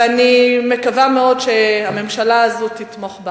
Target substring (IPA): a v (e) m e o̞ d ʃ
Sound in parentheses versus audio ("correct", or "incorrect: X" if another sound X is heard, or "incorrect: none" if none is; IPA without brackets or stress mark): incorrect: a